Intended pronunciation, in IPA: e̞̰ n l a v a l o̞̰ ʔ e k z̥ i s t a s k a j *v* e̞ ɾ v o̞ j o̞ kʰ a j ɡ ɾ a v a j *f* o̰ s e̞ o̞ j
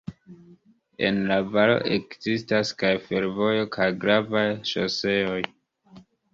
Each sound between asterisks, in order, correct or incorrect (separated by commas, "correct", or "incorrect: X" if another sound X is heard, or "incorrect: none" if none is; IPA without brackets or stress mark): incorrect: f, incorrect: ʃ